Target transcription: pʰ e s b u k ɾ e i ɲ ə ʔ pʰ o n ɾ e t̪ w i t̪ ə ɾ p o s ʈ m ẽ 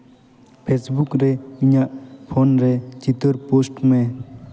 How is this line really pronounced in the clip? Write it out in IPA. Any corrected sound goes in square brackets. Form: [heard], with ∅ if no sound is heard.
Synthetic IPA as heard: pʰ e s b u k ɾ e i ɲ [a] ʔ pʰ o n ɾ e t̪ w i t̪ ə ɾ p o s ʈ m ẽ